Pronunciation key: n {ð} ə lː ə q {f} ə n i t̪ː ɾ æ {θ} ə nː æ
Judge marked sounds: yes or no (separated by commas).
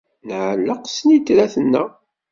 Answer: no, no, yes